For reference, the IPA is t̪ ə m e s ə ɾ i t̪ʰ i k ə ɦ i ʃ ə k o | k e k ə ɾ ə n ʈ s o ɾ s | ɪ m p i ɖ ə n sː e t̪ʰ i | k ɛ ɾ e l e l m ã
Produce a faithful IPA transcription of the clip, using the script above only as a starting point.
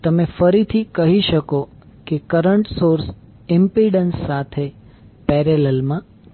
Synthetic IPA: t̪ ə m e f ə ɾ i t̪ʰ i k ə ɦ i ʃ ə k o | k e k ə ɾ ə ɳ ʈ s o ɾ s | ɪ m p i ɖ ə n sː a t̪ʰ e | p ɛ ɾ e l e l m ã